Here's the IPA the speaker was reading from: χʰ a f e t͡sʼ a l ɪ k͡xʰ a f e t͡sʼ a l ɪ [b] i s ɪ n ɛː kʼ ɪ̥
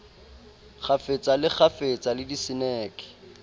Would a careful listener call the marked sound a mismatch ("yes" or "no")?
yes